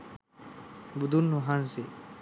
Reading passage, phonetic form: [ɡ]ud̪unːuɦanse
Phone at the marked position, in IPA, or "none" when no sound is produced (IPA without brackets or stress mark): b